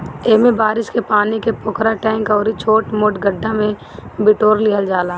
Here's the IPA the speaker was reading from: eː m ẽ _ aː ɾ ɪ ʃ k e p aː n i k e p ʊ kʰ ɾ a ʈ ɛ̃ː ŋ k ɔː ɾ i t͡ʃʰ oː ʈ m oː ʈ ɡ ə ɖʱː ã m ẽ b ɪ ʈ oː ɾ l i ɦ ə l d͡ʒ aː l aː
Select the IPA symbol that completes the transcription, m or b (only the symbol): b